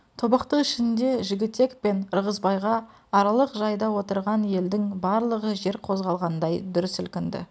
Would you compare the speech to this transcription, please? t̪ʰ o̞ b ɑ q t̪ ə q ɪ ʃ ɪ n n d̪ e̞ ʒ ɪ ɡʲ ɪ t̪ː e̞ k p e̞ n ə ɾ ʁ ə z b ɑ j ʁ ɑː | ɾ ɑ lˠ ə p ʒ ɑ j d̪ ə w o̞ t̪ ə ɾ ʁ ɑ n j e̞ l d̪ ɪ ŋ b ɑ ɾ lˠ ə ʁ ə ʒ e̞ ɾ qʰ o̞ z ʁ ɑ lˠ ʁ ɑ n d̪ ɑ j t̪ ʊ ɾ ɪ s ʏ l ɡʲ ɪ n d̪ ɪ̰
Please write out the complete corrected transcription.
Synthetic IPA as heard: t̪ʰ o̞ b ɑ q t̪ ə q ɪ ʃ ɪ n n d̪ e̞ ʒ ɪ ɡʲ ɪ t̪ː e̞ k p e̞ n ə ɾ ʁ ə z b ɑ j ʁ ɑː | ɾ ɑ lˠ ə q ʒ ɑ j d̪ ɑ w o̞ t̪ ə ɾ ʁ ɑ n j e̞ l d̪ ɪ ŋ b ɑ ɾ lˠ ə ʁ ə ʒ e̞ ɾ qʰ o̞ z ʁ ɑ lˠ ʁ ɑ n d̪ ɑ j d̪ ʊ ɾ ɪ s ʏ l kʲ ɪ n d̪ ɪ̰

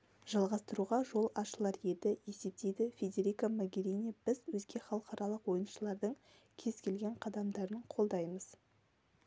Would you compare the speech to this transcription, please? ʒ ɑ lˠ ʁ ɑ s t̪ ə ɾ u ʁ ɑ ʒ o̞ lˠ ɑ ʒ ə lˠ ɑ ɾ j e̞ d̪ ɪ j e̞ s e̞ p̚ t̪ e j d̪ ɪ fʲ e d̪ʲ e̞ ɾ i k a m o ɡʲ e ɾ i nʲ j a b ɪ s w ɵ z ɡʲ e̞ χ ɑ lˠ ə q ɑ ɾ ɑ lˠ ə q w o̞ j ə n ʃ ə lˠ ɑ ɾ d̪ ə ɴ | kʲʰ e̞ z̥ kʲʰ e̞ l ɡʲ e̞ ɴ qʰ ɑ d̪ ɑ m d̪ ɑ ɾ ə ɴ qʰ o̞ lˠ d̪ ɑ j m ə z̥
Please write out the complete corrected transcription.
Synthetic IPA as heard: ʒ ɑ lˠ ʁ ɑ s t̪ ə ɾ u ʁ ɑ ʒ o̞ lˠ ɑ ʃ ə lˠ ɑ ɾ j e̞ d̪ ɪ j e̞ s e̞ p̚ t̪ e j d̪ ɪ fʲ e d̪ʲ e̞ ɾ i k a m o ɡʲ e ɾ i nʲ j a b ɪ z w ɵ z ɡʲ e̞ χ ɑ lˠ ə q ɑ ɾ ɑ lˠ ə q w o̞ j ə n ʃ ə lˠ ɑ ɾ d̪ ə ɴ | kʲʰ e̞ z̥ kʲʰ e̞ l ɡʲ e̞ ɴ qʰ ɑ d̪ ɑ m d̪ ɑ ɾ ə ɴ qʰ o̞ lˠ d̪ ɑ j m ə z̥

